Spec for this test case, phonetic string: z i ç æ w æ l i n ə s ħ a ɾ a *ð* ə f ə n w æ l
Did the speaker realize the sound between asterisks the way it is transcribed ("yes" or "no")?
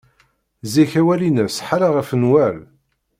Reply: no